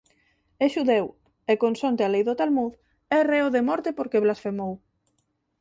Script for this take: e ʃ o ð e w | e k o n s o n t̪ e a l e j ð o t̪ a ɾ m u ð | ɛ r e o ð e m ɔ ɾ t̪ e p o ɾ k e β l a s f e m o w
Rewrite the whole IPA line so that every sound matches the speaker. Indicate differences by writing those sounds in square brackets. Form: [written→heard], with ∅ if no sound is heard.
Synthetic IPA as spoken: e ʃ [o→u] ð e w | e k o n s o n t̪ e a l e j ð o t̪ a [ɾ→l] m u ð | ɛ r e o ð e m ɔ ɾ t̪ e p o ɾ k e β l a s f e m o w